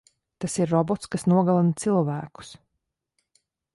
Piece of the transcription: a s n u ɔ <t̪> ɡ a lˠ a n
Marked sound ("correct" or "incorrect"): incorrect